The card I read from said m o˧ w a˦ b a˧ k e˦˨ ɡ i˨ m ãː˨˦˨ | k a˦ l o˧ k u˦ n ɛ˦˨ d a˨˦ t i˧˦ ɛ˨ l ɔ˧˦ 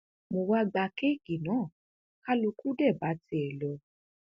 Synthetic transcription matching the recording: m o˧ w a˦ ɡ͡b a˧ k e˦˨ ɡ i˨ n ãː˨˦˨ | k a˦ l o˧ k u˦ d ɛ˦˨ b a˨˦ t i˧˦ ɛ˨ l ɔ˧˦